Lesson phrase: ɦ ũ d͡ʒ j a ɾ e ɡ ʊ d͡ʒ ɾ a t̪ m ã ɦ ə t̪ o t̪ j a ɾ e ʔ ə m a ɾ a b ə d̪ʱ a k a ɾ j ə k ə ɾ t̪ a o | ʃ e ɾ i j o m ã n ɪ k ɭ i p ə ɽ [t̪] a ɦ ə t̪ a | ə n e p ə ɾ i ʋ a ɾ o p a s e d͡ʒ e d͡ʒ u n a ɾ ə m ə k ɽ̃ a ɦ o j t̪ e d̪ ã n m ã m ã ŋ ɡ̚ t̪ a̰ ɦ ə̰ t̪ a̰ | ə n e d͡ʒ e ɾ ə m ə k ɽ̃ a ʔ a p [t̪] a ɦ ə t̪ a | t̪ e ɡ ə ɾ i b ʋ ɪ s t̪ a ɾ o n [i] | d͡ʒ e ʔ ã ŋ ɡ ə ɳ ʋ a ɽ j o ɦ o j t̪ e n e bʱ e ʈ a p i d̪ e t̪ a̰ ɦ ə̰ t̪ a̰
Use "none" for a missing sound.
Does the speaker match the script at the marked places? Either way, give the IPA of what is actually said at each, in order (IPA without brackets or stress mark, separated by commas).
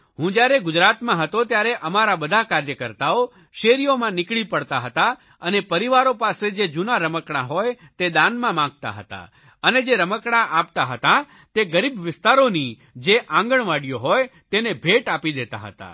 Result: t̪, t̪, i